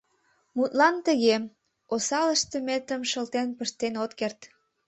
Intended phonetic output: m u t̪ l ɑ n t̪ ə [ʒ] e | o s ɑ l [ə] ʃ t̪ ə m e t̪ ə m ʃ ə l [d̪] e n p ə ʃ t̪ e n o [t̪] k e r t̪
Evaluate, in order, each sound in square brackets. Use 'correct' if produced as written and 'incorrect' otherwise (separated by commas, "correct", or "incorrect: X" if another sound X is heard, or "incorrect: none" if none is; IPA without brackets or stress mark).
incorrect: ɣ, correct, incorrect: t̪, correct